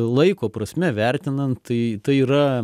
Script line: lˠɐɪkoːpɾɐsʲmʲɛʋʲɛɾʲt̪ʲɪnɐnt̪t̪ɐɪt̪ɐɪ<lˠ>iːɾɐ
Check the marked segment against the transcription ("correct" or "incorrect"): incorrect